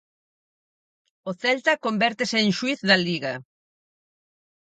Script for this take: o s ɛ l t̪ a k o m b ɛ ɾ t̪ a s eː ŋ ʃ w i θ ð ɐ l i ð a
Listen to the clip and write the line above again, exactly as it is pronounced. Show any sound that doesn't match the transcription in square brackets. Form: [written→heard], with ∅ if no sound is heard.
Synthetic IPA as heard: o [s→θ] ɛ l t̪ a k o m b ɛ ɾ t̪ [a→e] s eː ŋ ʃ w i θ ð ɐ l i [ð→ɣ] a